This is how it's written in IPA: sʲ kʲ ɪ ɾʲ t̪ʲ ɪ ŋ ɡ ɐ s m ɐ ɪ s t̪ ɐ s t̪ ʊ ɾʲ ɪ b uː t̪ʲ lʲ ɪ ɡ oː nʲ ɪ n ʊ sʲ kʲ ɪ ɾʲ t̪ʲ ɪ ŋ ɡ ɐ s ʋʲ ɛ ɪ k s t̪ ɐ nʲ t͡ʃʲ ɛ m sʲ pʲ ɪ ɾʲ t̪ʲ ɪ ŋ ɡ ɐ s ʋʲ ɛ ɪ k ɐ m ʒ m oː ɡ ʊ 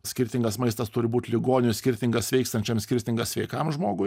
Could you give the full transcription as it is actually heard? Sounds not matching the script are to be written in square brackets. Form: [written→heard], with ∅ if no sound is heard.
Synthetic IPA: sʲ kʲ ɪ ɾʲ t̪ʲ ɪ ŋ ɡ ɐ s m ɐ ɪ s t̪ ɐ s t̪ ʊ ɾʲ ɪ b uː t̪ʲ lʲ ɪ ɡ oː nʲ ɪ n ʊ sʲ kʲ ɪ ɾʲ t̪ʲ ɪ ŋ ɡ ɐ s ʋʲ ɛ ɪ k s t̪ ɐ nʲ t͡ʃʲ ɛ m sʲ [pʲ→kʲ] ɪ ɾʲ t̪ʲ ɪ ŋ ɡ ɐ s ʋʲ ɛ ɪ k ɐ m ʒ m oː ɡ ʊ